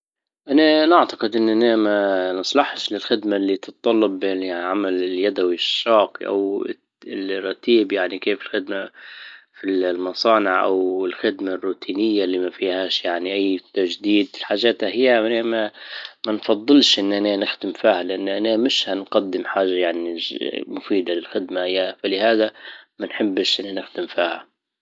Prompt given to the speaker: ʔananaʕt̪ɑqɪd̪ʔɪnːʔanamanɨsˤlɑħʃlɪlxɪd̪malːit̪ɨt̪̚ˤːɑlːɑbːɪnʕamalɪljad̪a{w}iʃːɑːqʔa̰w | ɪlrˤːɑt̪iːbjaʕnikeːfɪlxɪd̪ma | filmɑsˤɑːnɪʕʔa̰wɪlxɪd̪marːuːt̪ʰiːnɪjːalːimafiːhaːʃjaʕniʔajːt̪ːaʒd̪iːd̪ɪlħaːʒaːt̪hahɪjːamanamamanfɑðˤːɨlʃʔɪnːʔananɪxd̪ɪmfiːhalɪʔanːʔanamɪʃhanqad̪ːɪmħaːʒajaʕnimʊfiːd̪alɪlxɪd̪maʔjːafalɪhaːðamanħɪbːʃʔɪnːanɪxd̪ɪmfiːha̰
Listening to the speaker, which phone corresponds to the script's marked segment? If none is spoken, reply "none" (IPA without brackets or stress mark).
w